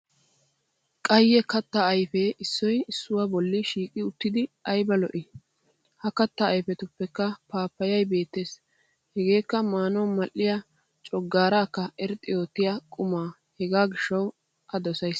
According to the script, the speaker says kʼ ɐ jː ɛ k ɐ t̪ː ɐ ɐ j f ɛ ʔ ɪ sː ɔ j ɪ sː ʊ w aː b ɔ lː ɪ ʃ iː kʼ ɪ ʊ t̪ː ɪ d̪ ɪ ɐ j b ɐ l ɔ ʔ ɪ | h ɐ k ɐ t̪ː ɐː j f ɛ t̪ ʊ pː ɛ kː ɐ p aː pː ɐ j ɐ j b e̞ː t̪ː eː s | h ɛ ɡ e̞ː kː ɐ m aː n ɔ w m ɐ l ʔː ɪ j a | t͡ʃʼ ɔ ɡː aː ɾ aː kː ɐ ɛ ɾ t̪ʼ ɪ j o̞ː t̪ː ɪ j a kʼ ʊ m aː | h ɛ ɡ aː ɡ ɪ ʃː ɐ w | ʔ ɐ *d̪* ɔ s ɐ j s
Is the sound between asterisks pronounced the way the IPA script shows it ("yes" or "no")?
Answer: yes